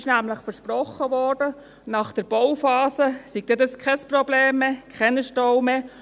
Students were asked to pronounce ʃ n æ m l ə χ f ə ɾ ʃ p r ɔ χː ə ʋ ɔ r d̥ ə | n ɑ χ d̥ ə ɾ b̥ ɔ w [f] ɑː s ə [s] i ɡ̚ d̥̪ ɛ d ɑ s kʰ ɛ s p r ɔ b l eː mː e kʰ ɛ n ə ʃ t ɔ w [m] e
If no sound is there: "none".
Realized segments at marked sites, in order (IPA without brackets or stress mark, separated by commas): f, s, m